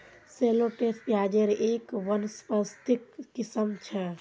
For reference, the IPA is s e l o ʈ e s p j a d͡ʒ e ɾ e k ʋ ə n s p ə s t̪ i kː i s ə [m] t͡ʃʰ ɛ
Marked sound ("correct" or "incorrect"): correct